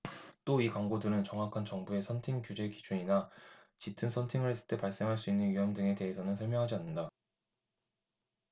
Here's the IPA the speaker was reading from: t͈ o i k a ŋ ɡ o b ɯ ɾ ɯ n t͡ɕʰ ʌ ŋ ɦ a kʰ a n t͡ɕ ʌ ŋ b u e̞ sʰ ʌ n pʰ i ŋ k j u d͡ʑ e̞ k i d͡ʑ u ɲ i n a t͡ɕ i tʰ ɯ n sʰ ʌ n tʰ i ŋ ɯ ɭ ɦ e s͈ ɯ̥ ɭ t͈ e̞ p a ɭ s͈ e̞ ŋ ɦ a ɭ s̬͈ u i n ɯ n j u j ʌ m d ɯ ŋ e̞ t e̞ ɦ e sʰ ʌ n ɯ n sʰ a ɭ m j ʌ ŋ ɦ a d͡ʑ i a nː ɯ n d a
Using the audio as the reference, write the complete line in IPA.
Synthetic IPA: t͈ o i k a ŋ ɡ o d ɯ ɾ ɯ n t͡ɕ ʌ ŋ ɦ a kʰ a n t͡ɕ ʌ ŋ b u e̞ sʰ ʌ n tʰ i ŋ k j u d͡ʑ e̞ k i d͡ʑ u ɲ i n a t͡ɕ i tʰ ɯ n sʰ ʌ n tʰ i ŋ ɯ ɭ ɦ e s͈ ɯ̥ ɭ t͈ e̞ p a ɭ s͈ e̞ ŋ ɦ a ɭ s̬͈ u i nː ɯ n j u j ʌ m d ɯ ŋ e̞ t e̞ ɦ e sʰ ʌ n ɯ n sʰ ʌ ɭ m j ʌ ŋ ɦ a d͡ʑ i a nː ɯ n d a